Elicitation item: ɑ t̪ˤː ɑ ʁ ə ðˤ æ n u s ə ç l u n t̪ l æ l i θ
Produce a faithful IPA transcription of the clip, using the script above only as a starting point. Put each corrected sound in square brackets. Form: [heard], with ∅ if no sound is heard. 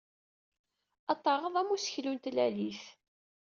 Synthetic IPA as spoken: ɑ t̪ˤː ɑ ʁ ə ðˤ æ [m] u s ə ç l u n t̪ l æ l i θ